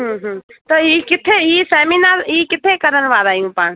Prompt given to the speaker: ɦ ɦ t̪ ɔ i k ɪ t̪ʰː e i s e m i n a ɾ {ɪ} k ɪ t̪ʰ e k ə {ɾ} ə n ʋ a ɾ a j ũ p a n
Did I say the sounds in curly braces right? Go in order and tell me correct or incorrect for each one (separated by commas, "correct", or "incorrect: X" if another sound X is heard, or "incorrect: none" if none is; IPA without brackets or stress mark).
incorrect: i, correct